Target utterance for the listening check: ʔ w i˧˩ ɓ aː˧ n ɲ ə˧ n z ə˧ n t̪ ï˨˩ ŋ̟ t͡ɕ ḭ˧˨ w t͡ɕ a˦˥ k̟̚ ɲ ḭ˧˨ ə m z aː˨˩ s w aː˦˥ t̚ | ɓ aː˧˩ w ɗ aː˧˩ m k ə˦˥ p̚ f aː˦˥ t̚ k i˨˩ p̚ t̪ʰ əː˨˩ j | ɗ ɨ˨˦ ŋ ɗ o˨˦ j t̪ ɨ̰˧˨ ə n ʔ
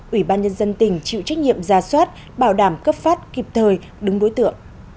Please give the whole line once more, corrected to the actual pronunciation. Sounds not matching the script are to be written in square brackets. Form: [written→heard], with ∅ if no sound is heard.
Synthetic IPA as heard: ʔ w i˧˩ ɓ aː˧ n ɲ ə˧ n z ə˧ n t̪ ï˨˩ ŋ̟ t͡ɕ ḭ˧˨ w t͡ɕ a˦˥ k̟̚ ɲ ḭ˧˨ ə m z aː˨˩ s w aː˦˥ t̚ | ɓ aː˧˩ w ɗ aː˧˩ m k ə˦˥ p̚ f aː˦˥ t̚ k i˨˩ p̚ t̪ʰ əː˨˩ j | ɗ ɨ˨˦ ŋ ɗ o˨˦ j t̪ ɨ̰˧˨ ə [n→ŋ] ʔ